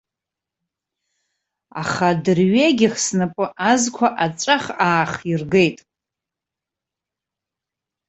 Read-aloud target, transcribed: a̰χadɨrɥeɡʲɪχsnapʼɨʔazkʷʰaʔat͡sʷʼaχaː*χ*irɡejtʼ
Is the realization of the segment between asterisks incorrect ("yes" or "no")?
no